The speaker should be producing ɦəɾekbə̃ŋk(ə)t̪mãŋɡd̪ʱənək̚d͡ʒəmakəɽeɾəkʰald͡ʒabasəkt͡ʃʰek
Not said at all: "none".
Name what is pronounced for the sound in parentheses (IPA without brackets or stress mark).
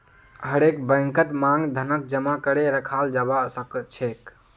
ə